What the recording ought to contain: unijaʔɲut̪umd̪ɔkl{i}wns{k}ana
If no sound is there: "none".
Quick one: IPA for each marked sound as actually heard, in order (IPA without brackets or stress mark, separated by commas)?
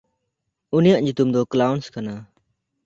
a, k